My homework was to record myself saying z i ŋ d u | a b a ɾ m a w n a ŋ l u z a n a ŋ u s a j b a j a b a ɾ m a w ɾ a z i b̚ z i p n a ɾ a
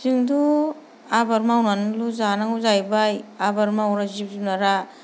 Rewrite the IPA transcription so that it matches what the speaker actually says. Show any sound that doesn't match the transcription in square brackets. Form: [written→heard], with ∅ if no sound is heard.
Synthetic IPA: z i ŋ d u | a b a ɾ m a w n a [ŋ→n] l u z a n a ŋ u [s→z] a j b a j a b a ɾ m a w ɾ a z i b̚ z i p n a ɾ a